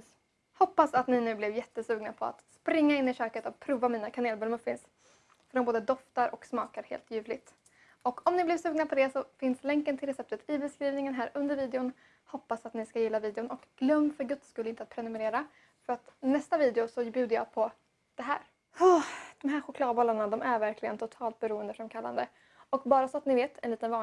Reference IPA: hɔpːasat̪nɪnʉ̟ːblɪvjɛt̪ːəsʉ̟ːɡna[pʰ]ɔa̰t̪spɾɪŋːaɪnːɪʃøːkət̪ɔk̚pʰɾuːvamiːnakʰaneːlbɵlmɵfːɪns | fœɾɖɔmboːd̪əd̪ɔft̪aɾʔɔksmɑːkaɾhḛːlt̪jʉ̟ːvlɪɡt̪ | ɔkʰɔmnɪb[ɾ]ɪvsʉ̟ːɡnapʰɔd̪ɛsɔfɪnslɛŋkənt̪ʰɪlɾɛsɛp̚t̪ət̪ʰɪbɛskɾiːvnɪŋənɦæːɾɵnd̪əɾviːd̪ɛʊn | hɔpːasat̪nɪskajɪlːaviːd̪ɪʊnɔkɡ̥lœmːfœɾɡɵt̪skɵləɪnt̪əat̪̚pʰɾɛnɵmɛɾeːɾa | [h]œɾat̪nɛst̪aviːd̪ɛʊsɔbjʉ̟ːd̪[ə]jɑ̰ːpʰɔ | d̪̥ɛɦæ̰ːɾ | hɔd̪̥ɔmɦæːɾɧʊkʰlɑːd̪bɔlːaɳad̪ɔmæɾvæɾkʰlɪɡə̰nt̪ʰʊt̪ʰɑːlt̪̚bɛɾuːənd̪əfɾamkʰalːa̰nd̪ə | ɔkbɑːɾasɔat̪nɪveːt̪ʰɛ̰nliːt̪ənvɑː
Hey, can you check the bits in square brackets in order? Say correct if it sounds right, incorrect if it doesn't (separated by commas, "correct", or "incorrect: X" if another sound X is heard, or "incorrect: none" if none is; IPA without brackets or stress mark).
correct, incorrect: l, incorrect: f, correct